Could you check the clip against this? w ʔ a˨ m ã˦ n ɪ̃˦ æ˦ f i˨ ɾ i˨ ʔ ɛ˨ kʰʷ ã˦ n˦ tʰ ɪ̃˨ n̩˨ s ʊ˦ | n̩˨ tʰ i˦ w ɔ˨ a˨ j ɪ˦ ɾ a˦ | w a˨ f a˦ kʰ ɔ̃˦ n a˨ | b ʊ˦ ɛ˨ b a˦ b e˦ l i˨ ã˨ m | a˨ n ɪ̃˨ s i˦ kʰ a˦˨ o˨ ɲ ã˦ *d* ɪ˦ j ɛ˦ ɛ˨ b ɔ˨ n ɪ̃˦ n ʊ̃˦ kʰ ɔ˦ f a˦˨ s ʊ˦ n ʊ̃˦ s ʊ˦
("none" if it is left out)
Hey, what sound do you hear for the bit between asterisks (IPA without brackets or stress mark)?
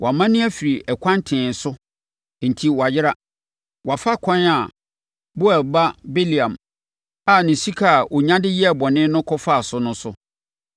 d